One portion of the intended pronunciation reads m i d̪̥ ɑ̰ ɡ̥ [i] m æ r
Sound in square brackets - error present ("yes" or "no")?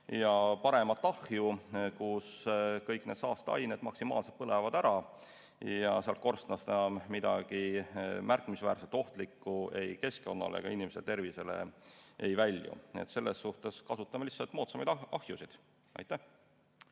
no